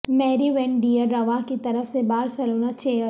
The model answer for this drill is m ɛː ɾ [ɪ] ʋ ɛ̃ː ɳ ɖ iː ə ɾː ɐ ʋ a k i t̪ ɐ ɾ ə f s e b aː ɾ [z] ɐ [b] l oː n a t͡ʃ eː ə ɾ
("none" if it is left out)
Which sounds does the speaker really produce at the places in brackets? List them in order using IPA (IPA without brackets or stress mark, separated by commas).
i, s, none